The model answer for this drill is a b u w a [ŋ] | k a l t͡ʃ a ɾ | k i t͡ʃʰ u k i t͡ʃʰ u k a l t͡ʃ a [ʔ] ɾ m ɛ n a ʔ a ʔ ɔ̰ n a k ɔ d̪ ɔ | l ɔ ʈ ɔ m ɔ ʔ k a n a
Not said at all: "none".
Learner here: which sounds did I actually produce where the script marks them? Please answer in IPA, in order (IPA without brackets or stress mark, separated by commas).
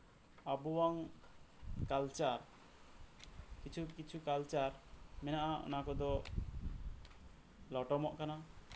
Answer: ŋ, none